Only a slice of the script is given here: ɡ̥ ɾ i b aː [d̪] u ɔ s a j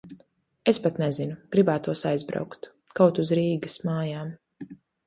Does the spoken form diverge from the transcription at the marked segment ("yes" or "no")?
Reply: yes